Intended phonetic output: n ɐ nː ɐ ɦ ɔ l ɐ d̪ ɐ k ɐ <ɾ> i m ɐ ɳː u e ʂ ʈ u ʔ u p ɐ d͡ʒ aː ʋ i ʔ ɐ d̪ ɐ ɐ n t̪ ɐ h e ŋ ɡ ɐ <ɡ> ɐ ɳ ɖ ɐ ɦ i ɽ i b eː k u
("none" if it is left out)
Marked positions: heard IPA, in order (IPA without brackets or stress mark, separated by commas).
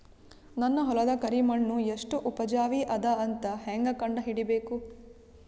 ɾ, k